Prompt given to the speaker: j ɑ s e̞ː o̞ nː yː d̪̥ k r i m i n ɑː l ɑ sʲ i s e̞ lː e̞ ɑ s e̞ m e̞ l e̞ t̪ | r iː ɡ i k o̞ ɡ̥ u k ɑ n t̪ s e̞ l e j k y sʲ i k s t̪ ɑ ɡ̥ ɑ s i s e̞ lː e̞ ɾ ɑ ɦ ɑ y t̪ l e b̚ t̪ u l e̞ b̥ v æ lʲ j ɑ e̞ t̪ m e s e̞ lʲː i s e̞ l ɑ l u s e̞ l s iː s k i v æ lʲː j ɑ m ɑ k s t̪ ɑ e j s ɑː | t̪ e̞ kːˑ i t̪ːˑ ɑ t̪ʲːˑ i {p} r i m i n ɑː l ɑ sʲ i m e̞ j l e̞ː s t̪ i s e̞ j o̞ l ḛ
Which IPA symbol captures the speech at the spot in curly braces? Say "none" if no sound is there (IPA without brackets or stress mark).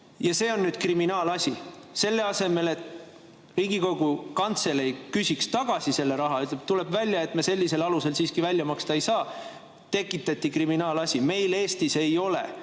k